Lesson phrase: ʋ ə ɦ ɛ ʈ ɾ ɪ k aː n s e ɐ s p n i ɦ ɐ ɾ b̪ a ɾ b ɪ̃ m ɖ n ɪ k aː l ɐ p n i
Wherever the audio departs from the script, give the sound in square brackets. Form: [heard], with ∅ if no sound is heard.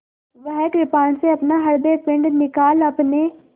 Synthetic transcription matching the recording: ʋ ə ɦ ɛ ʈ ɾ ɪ [p] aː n s e ɐ [∅] p n [a] ɦ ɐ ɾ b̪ [e] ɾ [p] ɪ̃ [ɳ] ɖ n ɪ k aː l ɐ p n [e]